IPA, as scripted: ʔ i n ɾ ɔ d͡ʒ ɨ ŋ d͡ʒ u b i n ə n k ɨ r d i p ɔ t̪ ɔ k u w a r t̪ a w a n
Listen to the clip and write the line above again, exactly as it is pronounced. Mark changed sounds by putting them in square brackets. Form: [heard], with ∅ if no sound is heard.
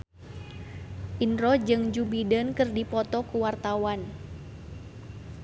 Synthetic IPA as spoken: ʔ i n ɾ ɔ d͡ʒ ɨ ŋ d͡ʒ u b i [d] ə n k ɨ r d i p ɔ t̪ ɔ k u w a r t̪ a w a n